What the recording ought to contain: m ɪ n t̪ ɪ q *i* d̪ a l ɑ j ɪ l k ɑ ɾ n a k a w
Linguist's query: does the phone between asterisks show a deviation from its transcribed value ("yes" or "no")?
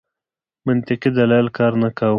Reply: no